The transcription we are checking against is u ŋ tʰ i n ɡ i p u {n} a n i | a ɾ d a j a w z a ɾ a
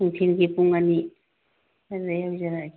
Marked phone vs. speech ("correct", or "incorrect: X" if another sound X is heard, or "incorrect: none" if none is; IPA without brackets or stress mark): incorrect: ŋ